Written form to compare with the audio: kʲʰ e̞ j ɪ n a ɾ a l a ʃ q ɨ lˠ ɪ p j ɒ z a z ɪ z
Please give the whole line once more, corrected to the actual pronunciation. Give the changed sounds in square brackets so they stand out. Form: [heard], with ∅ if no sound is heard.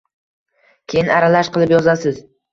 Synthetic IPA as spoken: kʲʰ e̞ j ɪ n a ɾ a l a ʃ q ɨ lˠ ɪ p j ɒ z a [s] ɪ z

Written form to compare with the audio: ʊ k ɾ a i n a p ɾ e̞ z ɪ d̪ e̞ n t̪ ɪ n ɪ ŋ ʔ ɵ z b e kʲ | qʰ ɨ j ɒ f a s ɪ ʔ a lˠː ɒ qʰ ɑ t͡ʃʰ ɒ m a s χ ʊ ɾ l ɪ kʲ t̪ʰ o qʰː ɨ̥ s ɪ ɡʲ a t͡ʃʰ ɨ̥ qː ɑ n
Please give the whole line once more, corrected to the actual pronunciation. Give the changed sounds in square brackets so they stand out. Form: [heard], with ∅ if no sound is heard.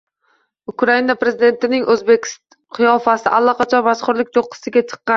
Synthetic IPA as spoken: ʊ k ɾ a i n a p ɾ e̞ z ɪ d̪ e̞ n t̪ ɪ n ɪ ŋ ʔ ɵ z b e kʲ | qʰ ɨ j ɒ f a s ɪ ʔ a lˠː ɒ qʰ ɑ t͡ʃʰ ɒ m a s χ ʊ ɾ l ɪ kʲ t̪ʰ o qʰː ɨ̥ s ɪ ɡʲ a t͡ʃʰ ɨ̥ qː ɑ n

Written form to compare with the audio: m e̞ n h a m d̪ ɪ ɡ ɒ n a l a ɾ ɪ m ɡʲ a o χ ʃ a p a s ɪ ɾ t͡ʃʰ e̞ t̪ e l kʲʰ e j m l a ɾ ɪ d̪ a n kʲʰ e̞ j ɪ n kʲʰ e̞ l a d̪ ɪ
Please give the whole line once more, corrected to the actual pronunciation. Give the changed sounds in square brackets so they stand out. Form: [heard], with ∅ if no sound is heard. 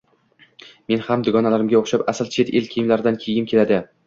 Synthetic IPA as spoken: m e̞ n h a m d̪ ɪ ɡ ɒ n a l a ɾ ɪ m ɡʲ a o χ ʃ a p a s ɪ [l] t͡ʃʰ e̞ t̪ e l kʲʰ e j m l a ɾ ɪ d̪ a n kʲʰ e̞ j ɪ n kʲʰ e̞ l a d̪ ɪ

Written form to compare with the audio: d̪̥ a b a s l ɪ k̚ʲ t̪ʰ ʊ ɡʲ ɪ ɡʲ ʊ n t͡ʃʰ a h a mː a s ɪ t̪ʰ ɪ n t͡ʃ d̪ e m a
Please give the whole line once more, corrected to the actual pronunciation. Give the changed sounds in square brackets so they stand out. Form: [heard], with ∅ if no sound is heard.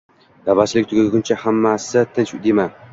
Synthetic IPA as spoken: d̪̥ a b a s l ɪ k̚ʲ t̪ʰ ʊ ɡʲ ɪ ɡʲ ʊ n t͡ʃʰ a h a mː a s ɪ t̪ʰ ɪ n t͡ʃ d̪ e m a

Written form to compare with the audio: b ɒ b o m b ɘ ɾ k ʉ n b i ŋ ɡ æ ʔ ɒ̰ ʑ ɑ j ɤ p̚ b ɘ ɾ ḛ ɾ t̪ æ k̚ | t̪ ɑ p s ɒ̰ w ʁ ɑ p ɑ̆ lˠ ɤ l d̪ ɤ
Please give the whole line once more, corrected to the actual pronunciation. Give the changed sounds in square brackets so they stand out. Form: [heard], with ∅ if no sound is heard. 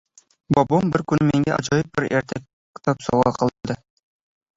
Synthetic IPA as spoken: b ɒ b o m b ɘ ɾ k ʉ n [m] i ŋ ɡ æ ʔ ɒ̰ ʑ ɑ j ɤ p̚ b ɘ ɾ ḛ ɾ t̪ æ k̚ | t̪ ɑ p s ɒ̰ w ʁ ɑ [q] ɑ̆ lˠ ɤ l d̪ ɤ

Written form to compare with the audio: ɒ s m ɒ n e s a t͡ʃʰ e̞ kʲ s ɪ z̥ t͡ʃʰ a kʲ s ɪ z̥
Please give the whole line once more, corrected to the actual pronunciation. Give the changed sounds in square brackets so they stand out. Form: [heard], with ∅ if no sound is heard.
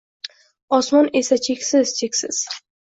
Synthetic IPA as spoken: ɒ s m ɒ n e s a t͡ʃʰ e̞ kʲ s ɪ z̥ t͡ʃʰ [e] kʲ s ɪ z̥

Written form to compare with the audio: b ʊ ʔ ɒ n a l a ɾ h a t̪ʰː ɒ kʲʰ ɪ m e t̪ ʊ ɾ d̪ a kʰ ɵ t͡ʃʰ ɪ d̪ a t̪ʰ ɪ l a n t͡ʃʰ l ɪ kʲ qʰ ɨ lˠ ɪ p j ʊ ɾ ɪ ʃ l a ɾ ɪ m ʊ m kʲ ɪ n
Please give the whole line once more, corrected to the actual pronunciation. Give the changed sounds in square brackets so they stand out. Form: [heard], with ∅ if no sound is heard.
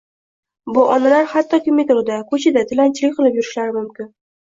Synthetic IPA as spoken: b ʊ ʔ ɒ n a l a ɾ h a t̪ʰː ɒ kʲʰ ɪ m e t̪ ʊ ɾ d̪ a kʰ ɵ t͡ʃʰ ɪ d̪ a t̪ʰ ɪ l a n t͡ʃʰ l ɪ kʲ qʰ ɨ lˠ ɪ p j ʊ ɾ ɪ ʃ l a ɾ ɪ m ʊ m kʲ ɪ n

